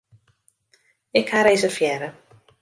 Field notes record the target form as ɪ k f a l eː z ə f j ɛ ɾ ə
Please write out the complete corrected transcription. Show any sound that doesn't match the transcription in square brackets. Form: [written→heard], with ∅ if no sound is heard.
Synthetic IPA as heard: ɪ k [f→h] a [l→ɾ] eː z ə f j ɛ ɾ ə